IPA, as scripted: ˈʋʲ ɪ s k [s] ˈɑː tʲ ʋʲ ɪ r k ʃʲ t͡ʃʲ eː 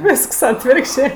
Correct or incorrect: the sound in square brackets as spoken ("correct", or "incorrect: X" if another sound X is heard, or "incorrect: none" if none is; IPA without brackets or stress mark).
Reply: correct